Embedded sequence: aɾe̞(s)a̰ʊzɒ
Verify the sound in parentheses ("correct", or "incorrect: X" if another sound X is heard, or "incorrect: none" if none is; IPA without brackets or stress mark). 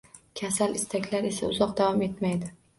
correct